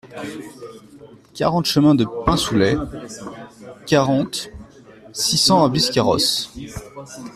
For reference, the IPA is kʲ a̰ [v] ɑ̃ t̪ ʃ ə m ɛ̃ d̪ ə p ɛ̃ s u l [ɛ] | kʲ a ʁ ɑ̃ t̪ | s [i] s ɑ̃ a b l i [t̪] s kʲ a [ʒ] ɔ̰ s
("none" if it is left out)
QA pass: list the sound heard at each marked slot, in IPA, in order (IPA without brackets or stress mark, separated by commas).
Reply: ʁ, ɛ, i, none, ʁ